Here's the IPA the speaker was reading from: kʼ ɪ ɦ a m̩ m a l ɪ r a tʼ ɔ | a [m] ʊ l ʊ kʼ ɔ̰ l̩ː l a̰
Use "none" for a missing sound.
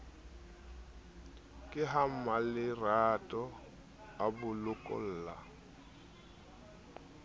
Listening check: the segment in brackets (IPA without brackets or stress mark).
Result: b